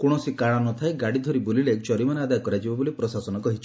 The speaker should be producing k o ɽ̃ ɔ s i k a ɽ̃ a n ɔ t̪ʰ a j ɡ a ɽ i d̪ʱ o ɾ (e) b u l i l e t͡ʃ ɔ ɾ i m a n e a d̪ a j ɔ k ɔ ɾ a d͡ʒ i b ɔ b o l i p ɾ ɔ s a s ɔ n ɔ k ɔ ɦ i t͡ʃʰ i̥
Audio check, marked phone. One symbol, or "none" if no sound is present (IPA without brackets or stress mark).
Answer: i